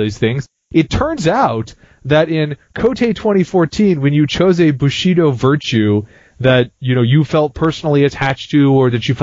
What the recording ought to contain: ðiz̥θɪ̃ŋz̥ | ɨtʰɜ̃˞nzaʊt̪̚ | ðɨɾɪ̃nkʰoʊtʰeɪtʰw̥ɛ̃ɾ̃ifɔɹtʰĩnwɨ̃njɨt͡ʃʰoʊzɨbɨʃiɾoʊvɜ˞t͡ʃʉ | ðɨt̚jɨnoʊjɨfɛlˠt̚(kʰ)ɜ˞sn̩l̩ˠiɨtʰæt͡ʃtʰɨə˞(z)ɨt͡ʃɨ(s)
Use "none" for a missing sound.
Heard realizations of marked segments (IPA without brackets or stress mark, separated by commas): pʰ, ð, f